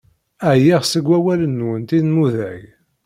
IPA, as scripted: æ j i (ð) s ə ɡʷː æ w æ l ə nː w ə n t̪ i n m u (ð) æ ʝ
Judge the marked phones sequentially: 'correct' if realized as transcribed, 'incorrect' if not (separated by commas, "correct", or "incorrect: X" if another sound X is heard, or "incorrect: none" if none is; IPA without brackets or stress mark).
incorrect: ʁ, correct